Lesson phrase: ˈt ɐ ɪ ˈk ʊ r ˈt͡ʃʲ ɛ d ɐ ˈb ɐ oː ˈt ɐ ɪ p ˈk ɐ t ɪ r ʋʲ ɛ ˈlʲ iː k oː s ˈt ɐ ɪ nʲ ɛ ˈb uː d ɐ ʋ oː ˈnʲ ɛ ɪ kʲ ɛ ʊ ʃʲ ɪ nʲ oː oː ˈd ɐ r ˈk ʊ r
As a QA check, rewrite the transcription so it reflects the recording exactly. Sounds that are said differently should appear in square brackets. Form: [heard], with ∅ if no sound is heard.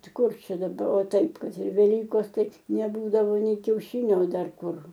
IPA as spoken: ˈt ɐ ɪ ˈk ʊ r ˈt͡ʃʲ ɛ d ɐ ˈb ɐ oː ˈt ɐ ɪ p ˈk ɐ t ɪ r ʋʲ ɛ ˈlʲ iː k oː s ˈt ɐ ɪ nʲ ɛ ˈb uː d ɐ ʋ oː ˈnʲ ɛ ɪ kʲ ɛ ʊ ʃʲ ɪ nʲ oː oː ˈd ɐ r ˈk ʊ r